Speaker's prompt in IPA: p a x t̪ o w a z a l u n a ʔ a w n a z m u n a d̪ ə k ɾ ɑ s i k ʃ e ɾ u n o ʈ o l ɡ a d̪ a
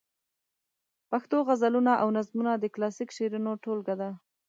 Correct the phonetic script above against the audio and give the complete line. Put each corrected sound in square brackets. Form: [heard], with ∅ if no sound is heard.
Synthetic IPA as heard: p a x t̪ o [ɣ] a z a l u n a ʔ a w n a z m u n a d̪ ə k [l] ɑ s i k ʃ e ɾ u n o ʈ o l ɡ a d̪ a

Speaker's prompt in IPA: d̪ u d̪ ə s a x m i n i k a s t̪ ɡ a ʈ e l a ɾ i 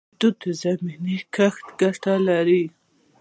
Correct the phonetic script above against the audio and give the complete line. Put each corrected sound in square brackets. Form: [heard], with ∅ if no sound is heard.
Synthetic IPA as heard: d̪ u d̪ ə [z] a [∅] m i n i k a [x] t̪ ɡ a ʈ [a] l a ɾ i

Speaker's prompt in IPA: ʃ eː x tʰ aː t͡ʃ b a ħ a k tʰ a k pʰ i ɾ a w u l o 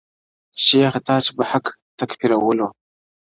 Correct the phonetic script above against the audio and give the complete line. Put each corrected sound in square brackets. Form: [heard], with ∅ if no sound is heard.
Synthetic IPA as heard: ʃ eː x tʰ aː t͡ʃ b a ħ a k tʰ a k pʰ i ɾ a w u l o

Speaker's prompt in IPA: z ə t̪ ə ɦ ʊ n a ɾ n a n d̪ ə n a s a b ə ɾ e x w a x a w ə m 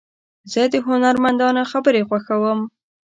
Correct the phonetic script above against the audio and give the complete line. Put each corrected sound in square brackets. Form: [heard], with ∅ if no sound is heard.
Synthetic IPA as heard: z ə [d̪] ə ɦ ʊ n a ɾ [m] a n d̪ [ɑ] n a [x] a b ə ɾ e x w a x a w ə m

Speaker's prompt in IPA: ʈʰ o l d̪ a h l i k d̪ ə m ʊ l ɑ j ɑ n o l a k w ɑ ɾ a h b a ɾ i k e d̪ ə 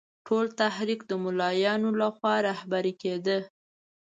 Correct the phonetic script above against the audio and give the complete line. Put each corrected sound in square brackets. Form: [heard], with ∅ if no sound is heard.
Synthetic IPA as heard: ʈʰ o l [t̪] a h [ɾ] i k d̪ ə m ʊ l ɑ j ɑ n o l a [x] w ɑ ɾ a h b a ɾ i k e d̪ ə

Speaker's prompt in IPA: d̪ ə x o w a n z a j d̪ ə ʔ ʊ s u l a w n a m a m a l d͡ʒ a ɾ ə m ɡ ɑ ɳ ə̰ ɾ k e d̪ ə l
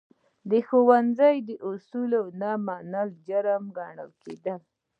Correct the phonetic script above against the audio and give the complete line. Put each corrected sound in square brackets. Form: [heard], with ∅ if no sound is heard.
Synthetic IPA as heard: d̪ ə x o w a n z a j d̪ ə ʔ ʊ s u l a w n a m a [n] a l d͡ʒ a ɾ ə m ɡ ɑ ɳ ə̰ [l] k e d̪ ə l

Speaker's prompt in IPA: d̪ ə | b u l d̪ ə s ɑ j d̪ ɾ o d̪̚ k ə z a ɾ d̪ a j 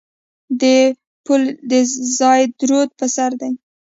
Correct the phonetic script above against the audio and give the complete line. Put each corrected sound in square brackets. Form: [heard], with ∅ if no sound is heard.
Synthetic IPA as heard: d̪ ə | [p] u l d̪ ə [z] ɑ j d̪ ɾ o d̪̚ [p] ə [s] a ɾ d̪ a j

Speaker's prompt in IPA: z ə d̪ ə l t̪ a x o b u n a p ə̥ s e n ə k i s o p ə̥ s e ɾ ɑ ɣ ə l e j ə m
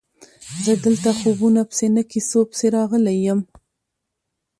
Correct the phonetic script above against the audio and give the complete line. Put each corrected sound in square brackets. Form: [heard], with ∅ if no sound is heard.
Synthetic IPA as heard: z ə d̪ ə l t̪ a x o b u n a p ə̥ s e n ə k i s o p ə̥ s e ɾ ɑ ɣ ə l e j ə m

